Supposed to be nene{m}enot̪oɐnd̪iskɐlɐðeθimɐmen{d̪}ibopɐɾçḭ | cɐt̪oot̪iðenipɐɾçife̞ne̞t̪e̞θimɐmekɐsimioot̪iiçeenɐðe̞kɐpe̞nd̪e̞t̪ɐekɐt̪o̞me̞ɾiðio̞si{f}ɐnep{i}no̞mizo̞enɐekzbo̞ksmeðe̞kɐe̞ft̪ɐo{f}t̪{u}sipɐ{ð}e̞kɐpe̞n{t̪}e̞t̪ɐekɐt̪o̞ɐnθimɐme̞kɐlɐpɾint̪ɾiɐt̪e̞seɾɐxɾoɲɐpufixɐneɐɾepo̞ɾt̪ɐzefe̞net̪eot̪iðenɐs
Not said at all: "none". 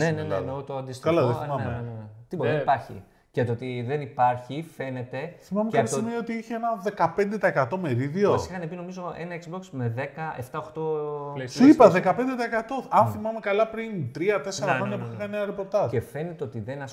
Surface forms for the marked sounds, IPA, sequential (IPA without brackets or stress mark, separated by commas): n, t̪, x, i, x, o, ð, d̪